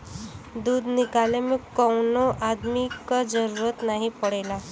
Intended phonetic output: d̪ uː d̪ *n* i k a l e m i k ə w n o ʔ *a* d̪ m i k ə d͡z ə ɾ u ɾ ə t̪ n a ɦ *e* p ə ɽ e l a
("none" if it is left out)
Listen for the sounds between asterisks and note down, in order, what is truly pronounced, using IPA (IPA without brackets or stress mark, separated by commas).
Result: n, a, i